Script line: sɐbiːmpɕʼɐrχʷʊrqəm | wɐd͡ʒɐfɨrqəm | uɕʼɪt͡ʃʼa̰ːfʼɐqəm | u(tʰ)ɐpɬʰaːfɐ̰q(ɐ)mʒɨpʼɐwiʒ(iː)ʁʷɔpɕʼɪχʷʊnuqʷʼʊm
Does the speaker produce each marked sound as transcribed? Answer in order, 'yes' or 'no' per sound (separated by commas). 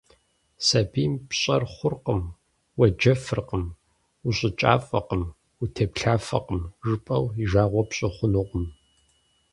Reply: yes, no, no